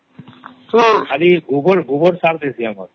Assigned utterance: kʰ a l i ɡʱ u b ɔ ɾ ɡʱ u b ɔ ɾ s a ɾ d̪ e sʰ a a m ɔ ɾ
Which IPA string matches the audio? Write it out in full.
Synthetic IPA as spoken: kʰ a l i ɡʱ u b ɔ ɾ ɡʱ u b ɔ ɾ s a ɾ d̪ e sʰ i a m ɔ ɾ